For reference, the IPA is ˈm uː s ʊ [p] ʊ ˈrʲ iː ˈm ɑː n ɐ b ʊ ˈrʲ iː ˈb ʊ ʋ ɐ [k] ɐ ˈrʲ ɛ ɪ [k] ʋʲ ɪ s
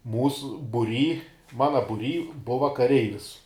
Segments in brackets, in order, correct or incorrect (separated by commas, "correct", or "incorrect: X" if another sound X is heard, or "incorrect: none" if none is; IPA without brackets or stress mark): incorrect: b, correct, incorrect: none